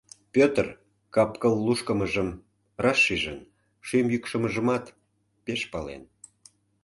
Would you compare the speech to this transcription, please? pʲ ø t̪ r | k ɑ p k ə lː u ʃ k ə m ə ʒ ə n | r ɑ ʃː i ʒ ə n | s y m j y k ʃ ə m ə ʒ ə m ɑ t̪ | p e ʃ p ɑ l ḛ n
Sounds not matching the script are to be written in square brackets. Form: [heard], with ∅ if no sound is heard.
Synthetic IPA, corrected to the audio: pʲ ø t̪ r | k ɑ p k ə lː u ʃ k ə m ə ʒ ə [m] | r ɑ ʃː i ʒ ə n | [ʃ] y m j y k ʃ ə m ə ʒ ə m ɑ t̪ | p e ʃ p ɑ l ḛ n